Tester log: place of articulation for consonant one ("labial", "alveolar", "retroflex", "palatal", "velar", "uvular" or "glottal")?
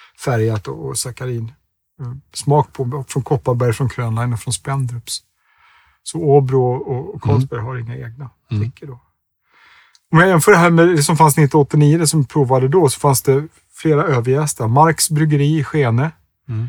labial